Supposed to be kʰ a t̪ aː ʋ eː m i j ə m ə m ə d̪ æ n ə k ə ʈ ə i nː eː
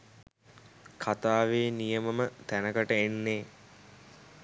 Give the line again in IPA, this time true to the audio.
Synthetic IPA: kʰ a t̪ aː ʋ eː n i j ə m ə m ə t̪ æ n ə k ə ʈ ə e nː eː